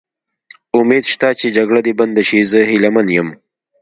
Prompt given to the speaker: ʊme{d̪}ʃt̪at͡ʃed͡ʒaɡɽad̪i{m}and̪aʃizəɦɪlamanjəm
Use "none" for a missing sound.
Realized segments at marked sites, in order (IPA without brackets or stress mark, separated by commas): d̪, b